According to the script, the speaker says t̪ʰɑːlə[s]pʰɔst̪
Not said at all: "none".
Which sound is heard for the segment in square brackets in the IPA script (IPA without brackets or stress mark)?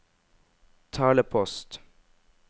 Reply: none